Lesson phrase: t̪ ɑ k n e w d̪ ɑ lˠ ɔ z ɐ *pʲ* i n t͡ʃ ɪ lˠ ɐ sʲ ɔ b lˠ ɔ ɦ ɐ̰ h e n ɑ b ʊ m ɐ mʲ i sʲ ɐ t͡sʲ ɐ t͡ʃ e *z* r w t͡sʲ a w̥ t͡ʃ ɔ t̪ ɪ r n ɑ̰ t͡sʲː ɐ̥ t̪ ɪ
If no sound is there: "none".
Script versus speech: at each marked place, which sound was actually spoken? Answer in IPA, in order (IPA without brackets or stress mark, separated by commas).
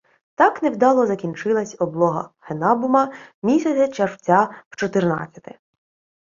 kʲ, none